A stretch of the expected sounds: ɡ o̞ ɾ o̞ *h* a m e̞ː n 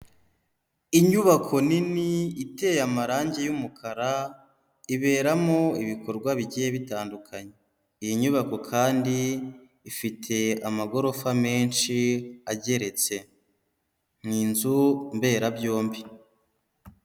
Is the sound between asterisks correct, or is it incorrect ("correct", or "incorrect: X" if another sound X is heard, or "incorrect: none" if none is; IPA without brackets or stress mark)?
incorrect: f